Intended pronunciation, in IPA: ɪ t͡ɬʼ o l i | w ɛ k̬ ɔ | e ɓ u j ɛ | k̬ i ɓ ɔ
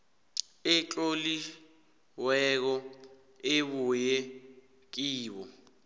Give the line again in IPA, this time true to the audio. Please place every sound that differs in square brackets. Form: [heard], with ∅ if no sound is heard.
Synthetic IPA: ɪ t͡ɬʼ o l i | w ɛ k̬ ɔ | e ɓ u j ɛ | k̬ [iː] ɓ ɔ